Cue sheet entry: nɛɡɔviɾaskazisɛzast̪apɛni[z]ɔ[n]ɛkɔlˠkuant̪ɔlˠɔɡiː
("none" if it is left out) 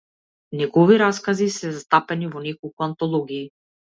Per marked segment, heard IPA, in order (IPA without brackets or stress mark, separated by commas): v, n